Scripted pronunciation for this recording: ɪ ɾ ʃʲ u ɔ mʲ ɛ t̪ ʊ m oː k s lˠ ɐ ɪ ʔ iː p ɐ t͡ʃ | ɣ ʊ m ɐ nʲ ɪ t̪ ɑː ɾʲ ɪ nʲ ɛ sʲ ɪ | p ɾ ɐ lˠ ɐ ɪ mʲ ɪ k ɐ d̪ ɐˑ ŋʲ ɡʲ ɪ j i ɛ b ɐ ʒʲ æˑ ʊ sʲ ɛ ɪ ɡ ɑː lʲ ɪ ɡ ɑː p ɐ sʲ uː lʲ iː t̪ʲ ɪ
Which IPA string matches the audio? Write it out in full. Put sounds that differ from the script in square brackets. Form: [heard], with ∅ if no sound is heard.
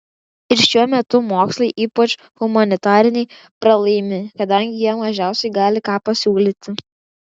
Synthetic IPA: ɪ ɾ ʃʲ u ɔ mʲ ɛ t̪ ʊ m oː k s lˠ ɐ ɪ ʔ iː p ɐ t͡ʃ | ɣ ʊ m ɐ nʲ ɪ t̪ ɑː ɾʲ ɪ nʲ ɛ [∅] ɪ | p ɾ ɐ lˠ ɐ ɪ mʲ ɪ k ɐ d̪ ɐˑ ŋʲ ɡʲ ɪ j i ɛ [m] ɐ ʒʲ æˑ ʊ sʲ ɛ ɪ ɡ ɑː lʲ ɪ [k] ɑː p ɐ sʲ uː lʲ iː t̪ʲ ɪ